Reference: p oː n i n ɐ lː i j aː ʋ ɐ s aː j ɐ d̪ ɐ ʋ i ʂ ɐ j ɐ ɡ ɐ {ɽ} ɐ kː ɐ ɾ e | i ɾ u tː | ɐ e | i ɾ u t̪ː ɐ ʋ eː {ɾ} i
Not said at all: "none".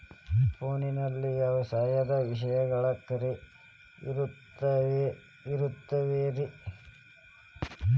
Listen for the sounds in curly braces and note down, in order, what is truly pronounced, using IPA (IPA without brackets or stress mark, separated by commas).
ɭ, ɾ